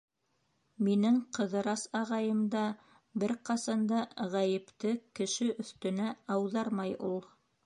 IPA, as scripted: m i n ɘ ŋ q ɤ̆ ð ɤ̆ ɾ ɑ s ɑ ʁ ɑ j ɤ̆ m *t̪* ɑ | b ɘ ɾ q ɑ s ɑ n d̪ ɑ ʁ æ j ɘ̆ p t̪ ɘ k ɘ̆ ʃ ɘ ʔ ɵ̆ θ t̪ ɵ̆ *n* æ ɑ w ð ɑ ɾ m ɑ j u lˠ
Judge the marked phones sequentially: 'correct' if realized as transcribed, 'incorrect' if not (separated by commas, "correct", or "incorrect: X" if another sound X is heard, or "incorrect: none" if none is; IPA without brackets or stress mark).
incorrect: d̪, correct